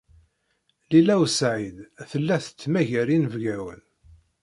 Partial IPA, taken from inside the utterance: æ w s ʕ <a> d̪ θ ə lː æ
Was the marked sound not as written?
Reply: yes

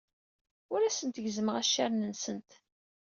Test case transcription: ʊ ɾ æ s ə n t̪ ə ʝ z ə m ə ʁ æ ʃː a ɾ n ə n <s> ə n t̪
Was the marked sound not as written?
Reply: no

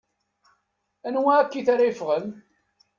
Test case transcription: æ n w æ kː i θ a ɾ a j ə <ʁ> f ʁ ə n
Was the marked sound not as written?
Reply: yes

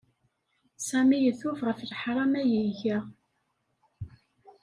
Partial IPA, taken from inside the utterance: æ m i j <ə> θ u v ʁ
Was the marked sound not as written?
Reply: no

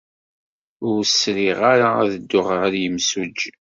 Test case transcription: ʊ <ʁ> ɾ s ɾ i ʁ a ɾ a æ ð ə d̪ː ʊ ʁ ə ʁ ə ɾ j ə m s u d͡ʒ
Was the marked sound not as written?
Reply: yes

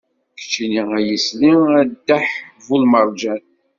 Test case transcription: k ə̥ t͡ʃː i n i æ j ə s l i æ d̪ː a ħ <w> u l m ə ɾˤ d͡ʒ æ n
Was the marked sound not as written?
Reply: yes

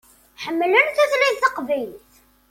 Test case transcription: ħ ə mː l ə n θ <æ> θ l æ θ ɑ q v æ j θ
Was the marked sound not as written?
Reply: no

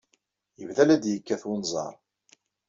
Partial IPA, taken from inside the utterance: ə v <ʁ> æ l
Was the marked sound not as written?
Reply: yes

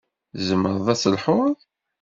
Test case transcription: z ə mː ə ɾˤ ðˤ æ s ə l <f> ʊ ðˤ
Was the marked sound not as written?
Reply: yes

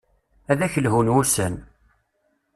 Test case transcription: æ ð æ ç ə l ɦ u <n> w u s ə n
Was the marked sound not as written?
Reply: no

